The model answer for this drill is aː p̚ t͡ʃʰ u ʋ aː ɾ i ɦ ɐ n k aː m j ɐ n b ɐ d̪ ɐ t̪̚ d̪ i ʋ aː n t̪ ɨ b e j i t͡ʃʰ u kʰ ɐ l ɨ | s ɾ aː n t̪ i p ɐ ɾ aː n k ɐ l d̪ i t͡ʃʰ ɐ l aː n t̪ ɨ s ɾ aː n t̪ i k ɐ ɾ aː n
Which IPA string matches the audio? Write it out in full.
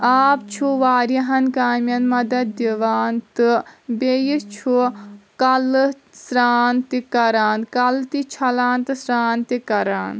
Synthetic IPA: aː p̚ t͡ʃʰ u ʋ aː ɾ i ɦ ɐ n k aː m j ɐ n m ɐ d̪ ɐ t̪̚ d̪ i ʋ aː n t̪ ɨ b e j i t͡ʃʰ u k ɐ l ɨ | s ɾ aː n t̪ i k ɐ ɾ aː n k ɐ l t̪ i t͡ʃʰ ɐ l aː n t̪ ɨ s ɾ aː n t̪ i k ɐ ɾ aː n